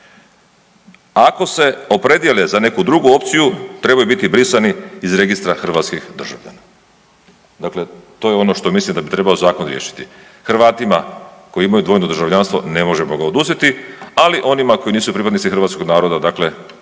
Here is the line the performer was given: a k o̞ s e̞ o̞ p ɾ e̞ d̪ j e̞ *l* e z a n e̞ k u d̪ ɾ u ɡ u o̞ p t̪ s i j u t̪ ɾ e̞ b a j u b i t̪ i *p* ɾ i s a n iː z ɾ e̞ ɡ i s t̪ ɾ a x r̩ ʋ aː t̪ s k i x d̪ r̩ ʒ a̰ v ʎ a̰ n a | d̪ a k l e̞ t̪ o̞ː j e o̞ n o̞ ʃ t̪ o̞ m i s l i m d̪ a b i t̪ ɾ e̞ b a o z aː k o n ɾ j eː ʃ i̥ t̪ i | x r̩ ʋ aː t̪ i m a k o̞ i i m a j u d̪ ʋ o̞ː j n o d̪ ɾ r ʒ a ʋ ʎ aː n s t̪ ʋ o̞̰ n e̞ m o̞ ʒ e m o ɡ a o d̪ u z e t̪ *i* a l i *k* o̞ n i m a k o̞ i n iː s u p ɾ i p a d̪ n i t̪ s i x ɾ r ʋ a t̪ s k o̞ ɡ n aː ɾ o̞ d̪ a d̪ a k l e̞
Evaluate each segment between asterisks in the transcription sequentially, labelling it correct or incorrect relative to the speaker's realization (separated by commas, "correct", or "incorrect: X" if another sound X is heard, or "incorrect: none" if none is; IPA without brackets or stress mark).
correct, incorrect: b, correct, incorrect: ʔ